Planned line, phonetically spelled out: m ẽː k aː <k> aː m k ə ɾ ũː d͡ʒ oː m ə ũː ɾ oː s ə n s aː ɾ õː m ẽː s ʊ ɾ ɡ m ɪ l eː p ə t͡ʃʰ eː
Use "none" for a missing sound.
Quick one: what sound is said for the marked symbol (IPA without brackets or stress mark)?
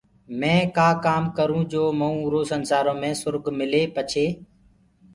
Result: k